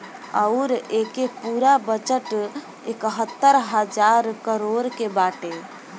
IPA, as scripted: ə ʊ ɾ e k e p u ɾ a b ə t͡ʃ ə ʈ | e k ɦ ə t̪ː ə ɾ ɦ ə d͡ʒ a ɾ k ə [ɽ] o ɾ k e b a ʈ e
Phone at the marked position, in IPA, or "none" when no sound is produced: ɾ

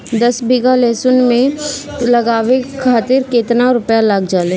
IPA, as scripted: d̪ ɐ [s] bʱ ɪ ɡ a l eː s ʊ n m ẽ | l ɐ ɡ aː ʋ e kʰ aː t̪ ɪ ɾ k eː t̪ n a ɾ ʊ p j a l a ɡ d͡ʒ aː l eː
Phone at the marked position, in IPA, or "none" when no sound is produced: s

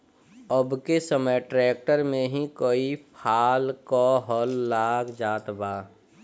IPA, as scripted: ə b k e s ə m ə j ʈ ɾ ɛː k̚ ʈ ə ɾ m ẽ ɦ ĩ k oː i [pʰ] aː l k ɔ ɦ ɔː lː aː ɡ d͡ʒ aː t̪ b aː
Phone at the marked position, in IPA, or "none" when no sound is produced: pʰ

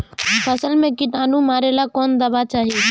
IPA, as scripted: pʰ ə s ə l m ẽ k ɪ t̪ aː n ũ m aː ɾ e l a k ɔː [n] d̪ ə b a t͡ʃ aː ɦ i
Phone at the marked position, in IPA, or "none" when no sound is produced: n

